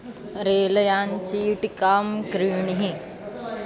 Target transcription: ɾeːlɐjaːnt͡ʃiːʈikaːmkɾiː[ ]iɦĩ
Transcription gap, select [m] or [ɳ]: ɳ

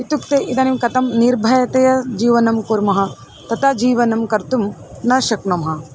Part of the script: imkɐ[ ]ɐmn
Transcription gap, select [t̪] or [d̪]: t̪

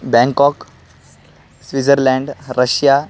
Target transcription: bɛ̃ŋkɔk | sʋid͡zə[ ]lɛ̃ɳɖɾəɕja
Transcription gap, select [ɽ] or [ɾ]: ɾ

